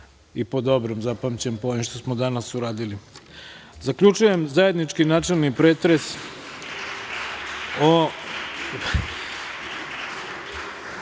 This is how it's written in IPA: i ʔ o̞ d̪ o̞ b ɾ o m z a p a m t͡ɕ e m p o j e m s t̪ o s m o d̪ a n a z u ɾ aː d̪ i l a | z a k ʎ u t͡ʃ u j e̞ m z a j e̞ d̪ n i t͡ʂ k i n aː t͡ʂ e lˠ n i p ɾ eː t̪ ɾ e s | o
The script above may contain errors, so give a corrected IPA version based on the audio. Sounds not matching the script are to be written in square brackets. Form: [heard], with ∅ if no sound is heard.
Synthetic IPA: i [p] o̞ d̪ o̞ b ɾ o m z a p a m t͡ɕ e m p o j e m [ʃ] t̪ o s m o d̪ a n a [s] u ɾ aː d̪ i l [i] | z a k ʎ u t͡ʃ u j e̞ m z a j e̞ d̪ n i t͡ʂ k i n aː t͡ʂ e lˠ n i p ɾ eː t̪ ɾ e s | o